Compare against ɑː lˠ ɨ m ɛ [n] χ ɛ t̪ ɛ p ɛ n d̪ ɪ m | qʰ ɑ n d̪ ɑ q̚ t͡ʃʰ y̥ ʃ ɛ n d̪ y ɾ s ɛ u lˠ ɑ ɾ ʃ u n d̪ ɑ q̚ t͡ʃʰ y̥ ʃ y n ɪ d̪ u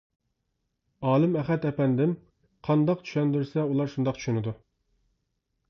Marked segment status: incorrect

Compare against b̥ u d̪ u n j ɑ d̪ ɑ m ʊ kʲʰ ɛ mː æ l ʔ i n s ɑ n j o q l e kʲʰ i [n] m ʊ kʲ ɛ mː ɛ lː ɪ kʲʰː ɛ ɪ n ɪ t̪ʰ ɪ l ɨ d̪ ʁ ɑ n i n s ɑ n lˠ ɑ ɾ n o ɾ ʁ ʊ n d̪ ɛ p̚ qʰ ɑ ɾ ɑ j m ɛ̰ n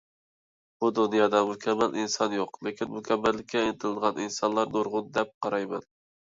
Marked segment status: correct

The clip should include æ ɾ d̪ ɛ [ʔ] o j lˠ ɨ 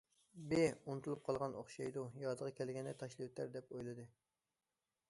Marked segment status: incorrect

